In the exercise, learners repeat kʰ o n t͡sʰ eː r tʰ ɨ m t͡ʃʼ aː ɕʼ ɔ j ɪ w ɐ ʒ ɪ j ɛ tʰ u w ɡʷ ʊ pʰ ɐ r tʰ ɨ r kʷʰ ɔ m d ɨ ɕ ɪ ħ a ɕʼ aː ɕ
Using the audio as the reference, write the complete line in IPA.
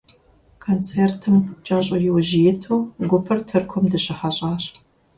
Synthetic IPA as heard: kʰ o n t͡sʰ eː r tʰ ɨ m t͡ʃʼ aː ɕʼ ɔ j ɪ w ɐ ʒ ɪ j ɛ tʰ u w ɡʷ ʊ pʰ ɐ r tʰ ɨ r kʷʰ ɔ m d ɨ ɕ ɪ ħ a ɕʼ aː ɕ